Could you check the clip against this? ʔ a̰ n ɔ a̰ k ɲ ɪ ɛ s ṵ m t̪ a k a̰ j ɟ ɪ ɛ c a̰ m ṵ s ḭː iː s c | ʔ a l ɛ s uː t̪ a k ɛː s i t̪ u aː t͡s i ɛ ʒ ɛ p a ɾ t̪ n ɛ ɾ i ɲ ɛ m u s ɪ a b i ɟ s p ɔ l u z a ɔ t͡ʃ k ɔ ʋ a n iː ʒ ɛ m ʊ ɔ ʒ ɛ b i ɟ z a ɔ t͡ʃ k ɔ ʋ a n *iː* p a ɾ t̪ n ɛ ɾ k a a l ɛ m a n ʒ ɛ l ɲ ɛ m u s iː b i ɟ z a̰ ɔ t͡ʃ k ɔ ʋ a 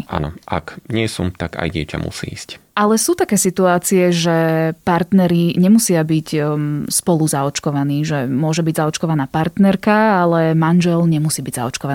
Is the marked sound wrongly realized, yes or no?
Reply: yes